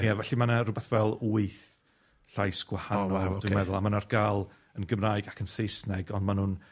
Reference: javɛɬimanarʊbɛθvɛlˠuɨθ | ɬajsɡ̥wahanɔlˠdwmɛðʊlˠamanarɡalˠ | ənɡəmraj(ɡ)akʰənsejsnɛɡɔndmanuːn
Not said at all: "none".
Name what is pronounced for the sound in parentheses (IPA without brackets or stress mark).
ɡ